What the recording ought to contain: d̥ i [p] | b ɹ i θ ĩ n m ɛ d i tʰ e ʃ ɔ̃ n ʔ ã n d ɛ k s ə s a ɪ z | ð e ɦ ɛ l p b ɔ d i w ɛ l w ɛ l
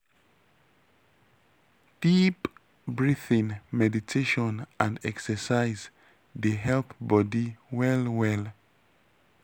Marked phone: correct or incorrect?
correct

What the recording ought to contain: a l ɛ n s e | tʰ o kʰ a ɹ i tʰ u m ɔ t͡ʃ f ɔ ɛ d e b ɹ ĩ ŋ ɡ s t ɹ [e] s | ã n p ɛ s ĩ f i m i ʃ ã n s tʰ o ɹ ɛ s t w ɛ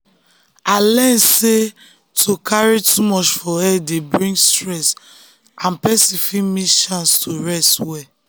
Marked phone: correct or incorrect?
incorrect: ɛ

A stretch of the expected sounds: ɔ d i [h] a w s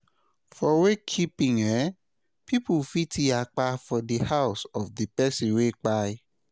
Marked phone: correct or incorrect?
correct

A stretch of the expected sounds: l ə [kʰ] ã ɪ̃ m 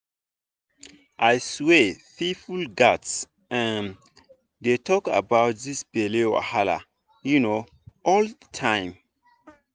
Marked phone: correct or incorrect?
incorrect: tʰ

